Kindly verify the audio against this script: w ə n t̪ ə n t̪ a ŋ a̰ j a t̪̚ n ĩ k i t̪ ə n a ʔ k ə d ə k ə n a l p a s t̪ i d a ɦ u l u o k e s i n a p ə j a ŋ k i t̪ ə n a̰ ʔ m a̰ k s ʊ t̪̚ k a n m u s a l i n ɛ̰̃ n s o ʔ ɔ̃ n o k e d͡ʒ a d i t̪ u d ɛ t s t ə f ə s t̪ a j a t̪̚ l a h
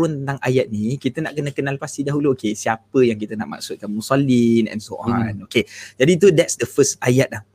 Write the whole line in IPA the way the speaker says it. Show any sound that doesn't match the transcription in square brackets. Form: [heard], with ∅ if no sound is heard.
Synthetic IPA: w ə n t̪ ə n t̪ a ŋ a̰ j a t̪̚ n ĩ k i t̪ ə n a ʔ k ə [n] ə k ə n a l p a s t̪ i d a ɦ u l u o k e s i [∅] a p ə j a ŋ k i t̪ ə n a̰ ʔ m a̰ k s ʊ t̪̚ k a n m u s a l i n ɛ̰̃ n s o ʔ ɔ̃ n o k e d͡ʒ a d i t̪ u d ɛ t s [d] ə f ə s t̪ a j a t̪̚ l a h